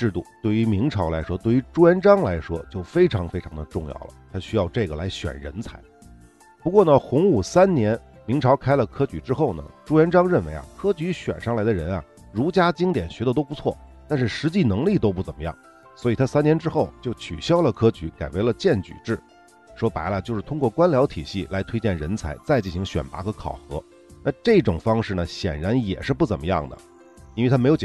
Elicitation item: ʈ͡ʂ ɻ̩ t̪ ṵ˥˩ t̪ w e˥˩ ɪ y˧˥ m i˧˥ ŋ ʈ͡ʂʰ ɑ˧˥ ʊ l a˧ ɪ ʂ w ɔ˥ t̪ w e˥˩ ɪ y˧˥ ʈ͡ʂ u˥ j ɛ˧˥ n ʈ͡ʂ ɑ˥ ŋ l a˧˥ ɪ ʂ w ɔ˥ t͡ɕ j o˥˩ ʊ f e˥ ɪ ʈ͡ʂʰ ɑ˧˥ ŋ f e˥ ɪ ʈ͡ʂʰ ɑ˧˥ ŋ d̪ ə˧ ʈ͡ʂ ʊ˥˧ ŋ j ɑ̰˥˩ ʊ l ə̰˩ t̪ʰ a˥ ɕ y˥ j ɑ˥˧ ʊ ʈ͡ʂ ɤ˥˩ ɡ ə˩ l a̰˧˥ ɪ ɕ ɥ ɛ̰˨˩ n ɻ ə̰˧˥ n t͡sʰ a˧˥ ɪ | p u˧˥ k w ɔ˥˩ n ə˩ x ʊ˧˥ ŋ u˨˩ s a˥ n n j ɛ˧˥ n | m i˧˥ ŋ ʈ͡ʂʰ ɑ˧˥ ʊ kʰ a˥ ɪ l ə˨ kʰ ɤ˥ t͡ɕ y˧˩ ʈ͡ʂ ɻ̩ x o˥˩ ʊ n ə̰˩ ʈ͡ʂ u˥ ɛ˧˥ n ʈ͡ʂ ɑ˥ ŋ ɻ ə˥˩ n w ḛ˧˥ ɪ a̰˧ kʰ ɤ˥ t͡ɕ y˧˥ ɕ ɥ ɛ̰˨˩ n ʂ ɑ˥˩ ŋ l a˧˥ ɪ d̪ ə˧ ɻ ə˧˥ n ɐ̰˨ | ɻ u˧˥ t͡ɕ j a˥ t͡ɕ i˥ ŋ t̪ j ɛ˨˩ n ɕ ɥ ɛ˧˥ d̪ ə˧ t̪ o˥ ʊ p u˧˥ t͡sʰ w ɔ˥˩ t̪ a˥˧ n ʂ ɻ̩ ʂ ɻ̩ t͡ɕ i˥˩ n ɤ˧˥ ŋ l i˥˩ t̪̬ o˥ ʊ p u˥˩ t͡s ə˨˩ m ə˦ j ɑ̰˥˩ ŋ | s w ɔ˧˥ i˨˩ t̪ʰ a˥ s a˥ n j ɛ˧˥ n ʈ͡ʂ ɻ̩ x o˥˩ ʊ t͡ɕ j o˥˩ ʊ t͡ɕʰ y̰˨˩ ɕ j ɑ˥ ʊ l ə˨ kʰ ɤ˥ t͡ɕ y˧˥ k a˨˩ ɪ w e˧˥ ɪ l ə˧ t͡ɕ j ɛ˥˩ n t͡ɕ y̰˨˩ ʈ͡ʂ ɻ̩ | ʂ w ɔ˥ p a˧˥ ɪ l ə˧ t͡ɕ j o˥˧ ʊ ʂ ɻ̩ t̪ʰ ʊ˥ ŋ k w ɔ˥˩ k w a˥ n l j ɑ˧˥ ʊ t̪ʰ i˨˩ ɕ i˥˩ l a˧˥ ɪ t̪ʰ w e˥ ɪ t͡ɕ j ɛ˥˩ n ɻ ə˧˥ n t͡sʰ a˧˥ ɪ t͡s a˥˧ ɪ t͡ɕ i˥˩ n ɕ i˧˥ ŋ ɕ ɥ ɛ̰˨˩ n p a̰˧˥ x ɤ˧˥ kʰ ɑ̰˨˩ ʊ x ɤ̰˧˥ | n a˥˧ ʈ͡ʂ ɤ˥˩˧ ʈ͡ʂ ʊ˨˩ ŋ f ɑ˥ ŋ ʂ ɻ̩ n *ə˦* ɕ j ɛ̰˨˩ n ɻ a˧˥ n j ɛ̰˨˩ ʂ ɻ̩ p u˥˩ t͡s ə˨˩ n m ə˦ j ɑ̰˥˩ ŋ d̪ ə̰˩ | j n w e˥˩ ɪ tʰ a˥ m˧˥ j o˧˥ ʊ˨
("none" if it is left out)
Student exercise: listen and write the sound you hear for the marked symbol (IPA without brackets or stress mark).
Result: ə˩